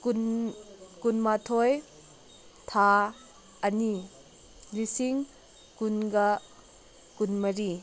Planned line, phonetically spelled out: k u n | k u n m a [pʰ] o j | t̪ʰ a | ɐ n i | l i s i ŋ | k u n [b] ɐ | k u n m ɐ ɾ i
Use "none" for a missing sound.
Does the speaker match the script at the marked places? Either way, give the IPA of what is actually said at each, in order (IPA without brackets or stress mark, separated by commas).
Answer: tʰ, ɡ